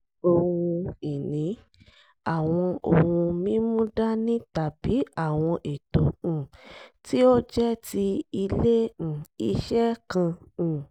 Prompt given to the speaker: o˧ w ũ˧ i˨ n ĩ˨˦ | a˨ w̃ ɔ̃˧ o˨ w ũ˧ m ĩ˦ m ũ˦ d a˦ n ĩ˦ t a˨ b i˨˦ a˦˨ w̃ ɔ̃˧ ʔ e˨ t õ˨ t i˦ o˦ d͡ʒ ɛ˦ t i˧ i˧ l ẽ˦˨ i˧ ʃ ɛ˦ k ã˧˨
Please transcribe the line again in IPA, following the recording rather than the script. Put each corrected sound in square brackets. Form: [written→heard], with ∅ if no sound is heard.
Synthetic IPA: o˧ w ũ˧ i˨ n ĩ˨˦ | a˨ w̃ ɔ̃˧ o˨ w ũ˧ m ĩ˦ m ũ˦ d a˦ n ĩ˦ t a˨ b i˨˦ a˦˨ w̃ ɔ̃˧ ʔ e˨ t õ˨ t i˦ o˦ d͡ʒ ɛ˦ t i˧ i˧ l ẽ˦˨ i˧ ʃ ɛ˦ k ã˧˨